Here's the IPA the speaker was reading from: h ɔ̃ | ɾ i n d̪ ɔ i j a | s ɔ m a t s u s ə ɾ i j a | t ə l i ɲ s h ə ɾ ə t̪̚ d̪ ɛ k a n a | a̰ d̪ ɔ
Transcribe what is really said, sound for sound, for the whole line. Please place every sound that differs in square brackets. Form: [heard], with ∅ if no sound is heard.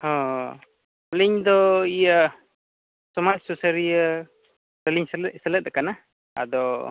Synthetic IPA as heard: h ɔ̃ | [l] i [ɲ] d̪ ɔ i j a | s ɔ m a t s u s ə ɾ i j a | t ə l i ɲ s [s] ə [l] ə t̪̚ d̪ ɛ k a n a | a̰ d̪ ɔ